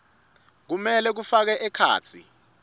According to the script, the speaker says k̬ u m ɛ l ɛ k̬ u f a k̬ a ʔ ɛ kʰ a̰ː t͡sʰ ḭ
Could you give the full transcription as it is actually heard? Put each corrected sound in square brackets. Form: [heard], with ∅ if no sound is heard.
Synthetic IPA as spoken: k̬ u m ɛ l ɛ k̬ u f a k̬ [ɛ] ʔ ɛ kʰ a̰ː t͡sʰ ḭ